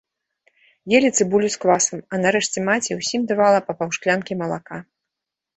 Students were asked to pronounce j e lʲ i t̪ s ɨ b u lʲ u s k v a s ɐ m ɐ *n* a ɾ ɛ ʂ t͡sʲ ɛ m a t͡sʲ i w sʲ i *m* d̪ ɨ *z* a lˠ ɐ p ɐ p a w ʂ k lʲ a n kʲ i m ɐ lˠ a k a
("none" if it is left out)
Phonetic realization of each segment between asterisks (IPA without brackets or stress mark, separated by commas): n, m, v